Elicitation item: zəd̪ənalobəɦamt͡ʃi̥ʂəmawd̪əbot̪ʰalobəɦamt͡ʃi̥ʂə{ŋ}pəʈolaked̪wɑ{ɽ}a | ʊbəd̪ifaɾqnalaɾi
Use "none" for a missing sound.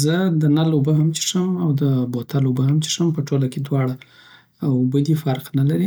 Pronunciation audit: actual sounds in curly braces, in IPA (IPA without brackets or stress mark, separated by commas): m, ɽ